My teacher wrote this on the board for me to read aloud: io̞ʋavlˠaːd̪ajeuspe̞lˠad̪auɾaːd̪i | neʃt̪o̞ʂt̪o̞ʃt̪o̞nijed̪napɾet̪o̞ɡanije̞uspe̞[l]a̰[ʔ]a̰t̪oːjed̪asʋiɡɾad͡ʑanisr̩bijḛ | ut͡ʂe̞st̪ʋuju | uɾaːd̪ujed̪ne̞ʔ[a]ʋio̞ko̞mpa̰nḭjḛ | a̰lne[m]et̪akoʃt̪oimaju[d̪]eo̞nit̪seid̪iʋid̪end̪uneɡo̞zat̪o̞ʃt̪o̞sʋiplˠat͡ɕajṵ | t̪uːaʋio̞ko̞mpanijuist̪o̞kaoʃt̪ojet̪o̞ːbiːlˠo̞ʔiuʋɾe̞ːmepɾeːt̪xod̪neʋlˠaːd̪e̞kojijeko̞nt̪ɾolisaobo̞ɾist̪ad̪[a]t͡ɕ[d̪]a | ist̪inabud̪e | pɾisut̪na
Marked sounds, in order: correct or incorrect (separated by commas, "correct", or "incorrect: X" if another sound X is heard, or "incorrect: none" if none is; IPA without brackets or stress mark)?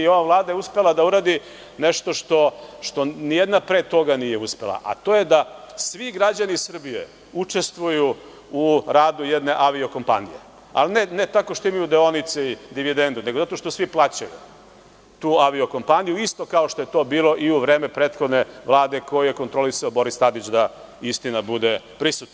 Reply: correct, correct, correct, incorrect: n, correct, incorrect: i, correct